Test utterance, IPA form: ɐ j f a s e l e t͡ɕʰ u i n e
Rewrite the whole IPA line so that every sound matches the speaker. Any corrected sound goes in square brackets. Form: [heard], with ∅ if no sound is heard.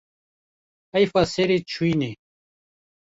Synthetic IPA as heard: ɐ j f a s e [ɾ] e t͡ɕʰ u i n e